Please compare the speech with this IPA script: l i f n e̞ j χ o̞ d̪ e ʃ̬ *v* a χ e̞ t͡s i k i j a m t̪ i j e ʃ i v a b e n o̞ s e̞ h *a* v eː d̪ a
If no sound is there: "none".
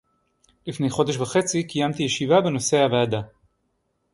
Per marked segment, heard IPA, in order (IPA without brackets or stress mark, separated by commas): v, a